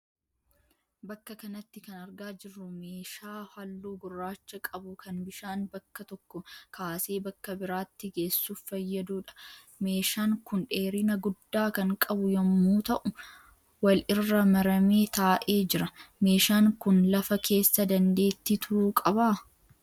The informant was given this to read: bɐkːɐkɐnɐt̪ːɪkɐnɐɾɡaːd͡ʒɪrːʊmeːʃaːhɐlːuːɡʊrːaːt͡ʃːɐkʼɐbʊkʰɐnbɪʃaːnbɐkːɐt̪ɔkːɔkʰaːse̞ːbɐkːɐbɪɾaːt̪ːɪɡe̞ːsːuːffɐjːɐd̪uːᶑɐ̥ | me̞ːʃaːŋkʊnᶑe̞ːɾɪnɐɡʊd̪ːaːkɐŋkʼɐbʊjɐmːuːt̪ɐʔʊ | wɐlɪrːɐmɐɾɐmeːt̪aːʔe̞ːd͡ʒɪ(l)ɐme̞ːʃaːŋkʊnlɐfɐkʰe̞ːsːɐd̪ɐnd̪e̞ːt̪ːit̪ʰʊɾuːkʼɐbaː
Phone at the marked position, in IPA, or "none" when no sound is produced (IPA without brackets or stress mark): ɾ